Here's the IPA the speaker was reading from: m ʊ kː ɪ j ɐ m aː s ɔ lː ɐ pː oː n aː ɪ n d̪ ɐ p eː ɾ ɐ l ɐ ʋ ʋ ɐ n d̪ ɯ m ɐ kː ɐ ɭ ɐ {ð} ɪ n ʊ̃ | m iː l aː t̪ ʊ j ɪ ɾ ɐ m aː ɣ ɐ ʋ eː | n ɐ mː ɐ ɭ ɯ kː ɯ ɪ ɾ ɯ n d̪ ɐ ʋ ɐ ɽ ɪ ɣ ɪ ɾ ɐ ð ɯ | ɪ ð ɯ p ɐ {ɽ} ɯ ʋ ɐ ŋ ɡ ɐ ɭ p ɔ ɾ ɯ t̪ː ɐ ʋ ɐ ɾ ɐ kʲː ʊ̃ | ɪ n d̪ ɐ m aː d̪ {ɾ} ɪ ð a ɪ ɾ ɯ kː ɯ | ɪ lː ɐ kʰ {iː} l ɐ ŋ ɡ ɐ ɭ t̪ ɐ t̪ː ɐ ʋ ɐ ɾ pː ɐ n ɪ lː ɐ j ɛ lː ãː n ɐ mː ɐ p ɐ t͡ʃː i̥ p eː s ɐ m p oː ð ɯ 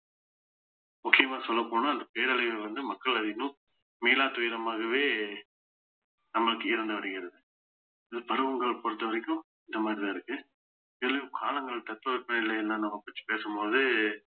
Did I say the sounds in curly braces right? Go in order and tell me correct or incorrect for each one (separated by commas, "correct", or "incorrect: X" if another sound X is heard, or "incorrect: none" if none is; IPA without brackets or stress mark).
correct, incorrect: ɾ, correct, incorrect: aː